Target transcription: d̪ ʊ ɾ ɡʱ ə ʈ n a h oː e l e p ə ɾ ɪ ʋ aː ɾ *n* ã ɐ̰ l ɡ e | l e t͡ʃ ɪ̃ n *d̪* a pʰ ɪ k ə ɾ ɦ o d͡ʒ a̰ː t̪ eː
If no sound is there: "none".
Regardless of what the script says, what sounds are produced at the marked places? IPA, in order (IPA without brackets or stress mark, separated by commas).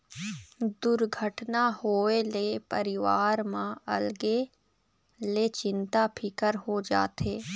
m, t̪